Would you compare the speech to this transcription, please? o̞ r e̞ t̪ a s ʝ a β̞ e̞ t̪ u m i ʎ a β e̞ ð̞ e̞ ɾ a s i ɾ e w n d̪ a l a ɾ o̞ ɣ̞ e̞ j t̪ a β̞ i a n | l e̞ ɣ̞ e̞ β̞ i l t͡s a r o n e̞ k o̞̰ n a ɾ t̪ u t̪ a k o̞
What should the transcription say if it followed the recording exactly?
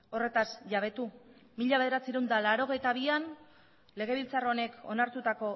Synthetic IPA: o̞ r e̞ t̪ a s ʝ a β̞ e̞ t̪ u m i ʎ a β e̞ ð̞ e̞ ɾ a t͡s i ɾ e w n d̪ a l a ɾ o̞ ɣ̞ e̞ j t̪ a β̞ i a n | l e̞ ɣ̞ e̞ β̞ i l t͡s a r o n e̞ k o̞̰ n a ɾ t̪ u t̪ a k o̞